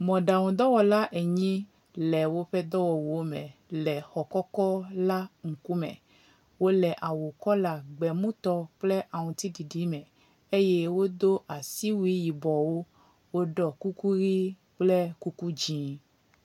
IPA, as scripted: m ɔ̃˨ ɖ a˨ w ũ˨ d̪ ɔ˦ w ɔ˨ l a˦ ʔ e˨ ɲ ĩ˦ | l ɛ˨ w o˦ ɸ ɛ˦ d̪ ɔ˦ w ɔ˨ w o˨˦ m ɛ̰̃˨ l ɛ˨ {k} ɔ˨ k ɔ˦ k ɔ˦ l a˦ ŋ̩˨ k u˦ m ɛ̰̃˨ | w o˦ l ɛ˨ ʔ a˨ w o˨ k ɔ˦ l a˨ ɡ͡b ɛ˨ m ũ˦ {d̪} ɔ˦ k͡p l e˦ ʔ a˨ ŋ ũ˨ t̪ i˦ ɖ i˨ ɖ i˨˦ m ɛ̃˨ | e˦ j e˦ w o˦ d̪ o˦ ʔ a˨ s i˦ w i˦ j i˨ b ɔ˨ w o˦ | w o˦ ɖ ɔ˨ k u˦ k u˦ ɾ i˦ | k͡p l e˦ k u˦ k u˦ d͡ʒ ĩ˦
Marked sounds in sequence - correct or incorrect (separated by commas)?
incorrect, incorrect